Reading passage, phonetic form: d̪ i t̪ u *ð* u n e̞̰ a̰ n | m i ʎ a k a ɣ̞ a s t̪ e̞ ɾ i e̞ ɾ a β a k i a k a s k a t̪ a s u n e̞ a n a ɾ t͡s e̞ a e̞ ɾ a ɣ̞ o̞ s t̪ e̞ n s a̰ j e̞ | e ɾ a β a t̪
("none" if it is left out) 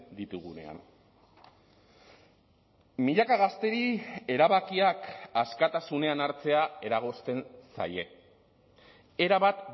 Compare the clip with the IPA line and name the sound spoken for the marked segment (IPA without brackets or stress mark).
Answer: ɣ